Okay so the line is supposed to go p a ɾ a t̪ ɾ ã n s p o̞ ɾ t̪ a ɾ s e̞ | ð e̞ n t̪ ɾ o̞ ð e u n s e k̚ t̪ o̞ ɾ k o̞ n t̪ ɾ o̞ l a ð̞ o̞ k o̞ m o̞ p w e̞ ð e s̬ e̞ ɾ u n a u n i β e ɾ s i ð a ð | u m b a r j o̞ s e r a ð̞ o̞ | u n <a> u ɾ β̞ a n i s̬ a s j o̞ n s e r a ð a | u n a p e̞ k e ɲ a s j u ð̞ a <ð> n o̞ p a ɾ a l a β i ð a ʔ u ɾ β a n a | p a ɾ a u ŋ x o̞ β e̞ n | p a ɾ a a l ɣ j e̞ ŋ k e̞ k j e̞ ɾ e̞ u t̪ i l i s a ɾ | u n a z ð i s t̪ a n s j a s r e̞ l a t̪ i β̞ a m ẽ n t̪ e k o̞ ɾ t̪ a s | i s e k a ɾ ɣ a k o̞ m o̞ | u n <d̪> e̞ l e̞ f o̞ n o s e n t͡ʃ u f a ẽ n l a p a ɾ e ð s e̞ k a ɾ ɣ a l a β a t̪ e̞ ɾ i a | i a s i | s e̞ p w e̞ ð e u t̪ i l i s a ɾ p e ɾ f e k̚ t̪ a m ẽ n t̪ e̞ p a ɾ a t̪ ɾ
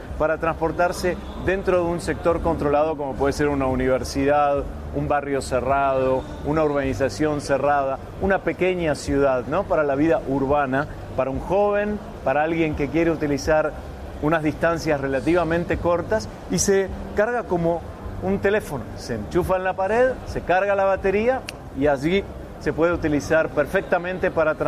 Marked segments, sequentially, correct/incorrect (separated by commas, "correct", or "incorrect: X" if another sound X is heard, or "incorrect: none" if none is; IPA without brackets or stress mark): correct, correct, incorrect: t̪